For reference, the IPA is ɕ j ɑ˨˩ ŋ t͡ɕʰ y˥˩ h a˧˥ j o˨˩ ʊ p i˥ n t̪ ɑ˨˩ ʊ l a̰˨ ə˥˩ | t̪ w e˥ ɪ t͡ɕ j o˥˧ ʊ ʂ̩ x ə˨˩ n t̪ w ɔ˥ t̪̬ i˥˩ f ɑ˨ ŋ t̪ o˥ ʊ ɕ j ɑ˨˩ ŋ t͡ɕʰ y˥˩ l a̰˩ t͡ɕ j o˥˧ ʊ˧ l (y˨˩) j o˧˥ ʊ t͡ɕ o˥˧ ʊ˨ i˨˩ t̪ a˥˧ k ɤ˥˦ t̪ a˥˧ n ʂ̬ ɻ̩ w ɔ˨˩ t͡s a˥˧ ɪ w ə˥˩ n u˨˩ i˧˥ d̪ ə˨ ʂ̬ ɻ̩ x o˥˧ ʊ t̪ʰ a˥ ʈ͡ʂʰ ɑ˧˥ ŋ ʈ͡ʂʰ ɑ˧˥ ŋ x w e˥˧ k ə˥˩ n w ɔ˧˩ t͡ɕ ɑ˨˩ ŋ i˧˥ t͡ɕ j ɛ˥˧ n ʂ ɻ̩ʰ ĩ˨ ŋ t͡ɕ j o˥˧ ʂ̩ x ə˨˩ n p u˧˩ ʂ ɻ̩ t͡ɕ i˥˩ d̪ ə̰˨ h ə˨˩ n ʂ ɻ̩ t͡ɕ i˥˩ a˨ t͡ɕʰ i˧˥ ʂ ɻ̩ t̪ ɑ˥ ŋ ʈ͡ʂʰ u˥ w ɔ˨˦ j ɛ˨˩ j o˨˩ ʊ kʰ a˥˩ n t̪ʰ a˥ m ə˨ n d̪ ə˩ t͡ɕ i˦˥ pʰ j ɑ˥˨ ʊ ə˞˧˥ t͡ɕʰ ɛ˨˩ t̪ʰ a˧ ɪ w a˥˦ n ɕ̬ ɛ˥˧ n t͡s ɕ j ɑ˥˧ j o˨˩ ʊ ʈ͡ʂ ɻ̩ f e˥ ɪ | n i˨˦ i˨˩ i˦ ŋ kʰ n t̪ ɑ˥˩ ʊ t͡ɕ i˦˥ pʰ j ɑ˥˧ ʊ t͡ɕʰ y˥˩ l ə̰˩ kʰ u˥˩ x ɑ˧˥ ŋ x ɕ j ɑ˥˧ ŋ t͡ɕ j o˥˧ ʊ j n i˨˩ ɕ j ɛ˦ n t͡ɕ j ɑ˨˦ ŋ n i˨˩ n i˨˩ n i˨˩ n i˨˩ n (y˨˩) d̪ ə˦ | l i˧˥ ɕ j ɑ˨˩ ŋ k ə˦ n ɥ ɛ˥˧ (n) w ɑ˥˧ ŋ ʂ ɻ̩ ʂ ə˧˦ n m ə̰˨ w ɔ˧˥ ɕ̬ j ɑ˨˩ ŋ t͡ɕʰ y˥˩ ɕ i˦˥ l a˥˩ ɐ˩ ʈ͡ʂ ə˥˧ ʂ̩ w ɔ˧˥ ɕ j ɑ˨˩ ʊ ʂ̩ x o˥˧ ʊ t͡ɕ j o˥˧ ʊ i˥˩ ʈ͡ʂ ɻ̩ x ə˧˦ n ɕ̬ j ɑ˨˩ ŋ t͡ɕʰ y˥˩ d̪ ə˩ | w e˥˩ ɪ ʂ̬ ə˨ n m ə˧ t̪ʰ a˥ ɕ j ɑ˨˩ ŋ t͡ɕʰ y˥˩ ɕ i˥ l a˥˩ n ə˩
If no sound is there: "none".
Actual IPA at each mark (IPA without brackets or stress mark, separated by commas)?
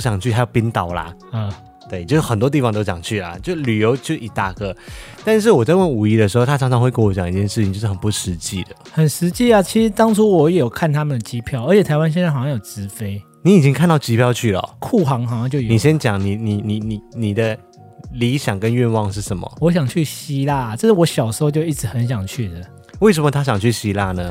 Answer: y˨˩, i˨˩, n